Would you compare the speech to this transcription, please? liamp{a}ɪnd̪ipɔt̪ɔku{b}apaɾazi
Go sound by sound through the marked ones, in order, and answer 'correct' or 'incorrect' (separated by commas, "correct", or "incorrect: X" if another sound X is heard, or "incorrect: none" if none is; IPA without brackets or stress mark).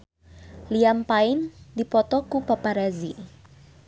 correct, incorrect: p